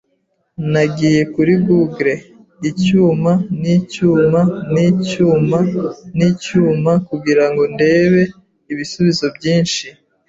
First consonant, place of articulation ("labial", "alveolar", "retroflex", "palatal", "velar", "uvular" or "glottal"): alveolar